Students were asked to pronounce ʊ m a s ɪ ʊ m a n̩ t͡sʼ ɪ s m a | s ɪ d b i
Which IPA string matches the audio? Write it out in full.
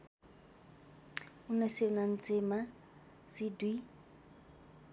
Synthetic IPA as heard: ʊ n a s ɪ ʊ n a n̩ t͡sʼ ɪ m a | s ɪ d w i